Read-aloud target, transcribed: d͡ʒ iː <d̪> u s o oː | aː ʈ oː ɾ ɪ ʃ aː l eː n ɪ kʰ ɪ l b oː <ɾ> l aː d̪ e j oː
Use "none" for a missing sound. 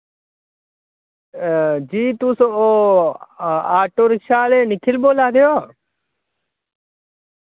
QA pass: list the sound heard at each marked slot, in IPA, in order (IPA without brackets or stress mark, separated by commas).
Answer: t̪, none